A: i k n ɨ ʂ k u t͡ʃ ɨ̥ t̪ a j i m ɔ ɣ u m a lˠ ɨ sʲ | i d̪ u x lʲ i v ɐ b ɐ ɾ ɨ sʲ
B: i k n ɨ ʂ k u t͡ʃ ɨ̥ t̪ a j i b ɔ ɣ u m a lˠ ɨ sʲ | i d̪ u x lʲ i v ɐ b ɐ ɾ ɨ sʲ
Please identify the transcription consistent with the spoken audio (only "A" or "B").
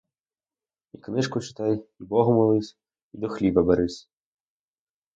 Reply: B